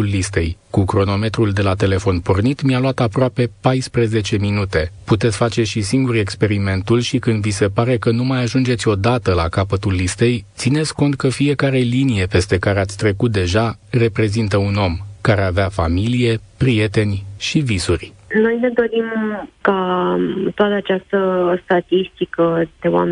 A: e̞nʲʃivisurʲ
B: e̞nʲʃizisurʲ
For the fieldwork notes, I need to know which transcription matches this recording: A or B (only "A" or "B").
A